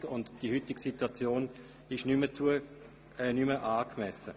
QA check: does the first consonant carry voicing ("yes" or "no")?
yes